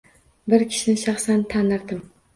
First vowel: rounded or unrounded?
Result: unrounded